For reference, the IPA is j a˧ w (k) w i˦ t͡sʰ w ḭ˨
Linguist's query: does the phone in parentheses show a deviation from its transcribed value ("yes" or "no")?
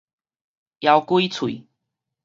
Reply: no